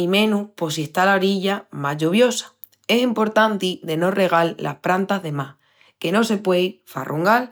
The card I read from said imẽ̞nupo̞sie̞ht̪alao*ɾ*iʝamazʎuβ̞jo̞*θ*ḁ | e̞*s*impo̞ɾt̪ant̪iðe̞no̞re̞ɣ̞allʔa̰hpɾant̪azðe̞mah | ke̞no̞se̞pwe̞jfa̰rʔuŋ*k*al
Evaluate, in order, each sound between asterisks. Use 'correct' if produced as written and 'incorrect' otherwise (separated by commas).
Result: correct, incorrect, correct, incorrect